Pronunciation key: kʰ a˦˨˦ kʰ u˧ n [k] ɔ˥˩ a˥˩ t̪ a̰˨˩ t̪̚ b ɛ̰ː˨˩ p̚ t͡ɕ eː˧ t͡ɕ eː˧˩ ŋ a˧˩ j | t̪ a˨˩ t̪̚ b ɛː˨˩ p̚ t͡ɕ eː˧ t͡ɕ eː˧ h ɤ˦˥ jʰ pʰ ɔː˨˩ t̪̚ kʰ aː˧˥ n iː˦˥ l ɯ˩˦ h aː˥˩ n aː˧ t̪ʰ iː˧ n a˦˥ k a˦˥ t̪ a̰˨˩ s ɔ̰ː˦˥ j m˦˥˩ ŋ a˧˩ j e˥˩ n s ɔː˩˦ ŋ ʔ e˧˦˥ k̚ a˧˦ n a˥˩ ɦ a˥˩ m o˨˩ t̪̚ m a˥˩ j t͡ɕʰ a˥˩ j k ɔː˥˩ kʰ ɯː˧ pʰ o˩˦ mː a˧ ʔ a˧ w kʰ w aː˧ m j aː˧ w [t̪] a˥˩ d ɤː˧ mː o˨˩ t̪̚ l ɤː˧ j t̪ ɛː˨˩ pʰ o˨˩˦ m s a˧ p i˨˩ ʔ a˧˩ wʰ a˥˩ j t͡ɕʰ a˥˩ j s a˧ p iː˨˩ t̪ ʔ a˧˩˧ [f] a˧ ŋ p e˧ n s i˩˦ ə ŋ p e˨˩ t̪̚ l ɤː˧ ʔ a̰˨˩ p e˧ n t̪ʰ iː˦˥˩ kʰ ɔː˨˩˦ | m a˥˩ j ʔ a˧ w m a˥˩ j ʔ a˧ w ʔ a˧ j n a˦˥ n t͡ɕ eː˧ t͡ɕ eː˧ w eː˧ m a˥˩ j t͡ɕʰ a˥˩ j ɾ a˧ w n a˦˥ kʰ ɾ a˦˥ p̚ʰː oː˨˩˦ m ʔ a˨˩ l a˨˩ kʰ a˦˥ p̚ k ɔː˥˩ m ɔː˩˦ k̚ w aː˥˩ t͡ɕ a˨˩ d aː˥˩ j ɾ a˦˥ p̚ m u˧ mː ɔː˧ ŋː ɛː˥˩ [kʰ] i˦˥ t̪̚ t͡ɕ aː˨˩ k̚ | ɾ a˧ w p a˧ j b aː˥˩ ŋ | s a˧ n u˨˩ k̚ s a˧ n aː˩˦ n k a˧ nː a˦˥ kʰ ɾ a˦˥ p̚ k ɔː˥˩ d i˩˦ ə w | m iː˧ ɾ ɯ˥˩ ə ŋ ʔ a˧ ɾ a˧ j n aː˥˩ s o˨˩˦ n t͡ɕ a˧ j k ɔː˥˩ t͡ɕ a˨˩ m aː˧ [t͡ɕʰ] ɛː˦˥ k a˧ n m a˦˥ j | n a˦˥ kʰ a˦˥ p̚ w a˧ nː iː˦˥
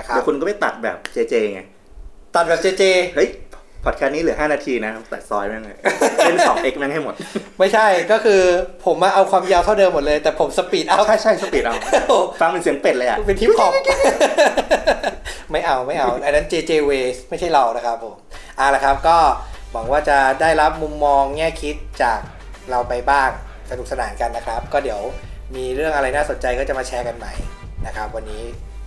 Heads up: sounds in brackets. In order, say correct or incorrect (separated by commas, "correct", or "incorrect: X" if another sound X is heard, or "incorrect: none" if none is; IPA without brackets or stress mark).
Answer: correct, incorrect: t̪ʰ, correct, correct, correct